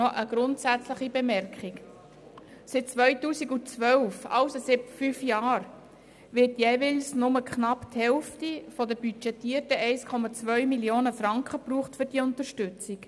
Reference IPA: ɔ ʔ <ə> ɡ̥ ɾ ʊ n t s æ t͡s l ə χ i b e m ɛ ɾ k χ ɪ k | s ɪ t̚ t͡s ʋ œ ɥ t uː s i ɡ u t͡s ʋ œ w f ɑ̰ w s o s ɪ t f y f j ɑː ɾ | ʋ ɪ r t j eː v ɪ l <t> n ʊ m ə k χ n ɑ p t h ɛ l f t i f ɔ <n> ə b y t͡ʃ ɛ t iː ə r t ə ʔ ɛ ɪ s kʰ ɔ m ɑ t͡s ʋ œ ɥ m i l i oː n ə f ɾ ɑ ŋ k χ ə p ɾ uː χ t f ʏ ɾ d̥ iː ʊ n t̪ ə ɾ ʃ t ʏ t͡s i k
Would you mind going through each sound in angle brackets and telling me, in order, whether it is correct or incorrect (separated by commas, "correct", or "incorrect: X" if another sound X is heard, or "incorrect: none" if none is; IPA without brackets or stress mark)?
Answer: correct, incorrect: s, incorrect: d